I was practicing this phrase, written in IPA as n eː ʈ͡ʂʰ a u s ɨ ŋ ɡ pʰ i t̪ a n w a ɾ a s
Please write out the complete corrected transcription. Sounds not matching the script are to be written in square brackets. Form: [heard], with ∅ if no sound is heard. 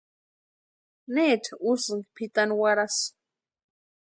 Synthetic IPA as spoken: n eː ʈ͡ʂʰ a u s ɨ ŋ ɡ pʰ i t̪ a n w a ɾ a s